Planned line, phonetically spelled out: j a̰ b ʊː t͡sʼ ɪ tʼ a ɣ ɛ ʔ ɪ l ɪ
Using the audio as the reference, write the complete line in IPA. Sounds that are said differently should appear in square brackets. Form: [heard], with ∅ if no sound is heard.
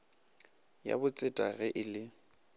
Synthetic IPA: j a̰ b [ʊ] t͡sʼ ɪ tʼ a ɣ ɛ ʔ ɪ l ɪ